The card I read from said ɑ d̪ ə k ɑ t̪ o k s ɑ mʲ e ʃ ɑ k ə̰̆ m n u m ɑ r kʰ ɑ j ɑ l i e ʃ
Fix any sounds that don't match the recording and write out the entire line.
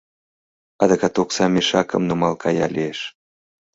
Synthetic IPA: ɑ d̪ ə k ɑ t̪ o k s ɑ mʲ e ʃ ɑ k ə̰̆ m n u m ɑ l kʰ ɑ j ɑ l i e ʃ